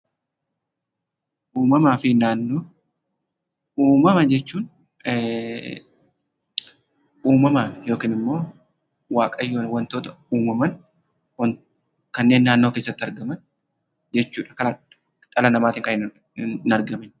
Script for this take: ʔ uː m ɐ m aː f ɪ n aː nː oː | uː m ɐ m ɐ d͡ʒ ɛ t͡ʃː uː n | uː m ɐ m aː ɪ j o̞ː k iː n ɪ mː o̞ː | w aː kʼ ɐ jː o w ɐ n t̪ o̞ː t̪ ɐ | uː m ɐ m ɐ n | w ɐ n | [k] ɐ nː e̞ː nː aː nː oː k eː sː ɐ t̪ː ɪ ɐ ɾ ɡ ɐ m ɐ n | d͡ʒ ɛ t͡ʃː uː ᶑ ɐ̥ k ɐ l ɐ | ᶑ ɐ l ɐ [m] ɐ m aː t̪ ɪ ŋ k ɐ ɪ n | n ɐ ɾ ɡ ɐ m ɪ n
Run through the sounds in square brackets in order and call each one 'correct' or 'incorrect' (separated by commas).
correct, incorrect